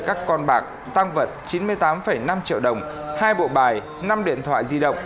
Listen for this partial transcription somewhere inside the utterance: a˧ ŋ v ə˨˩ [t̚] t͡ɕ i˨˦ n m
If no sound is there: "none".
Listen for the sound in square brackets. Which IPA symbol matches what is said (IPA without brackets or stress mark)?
t̚